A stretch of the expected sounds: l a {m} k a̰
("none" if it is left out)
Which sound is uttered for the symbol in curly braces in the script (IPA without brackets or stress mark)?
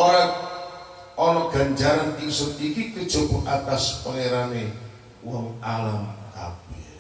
m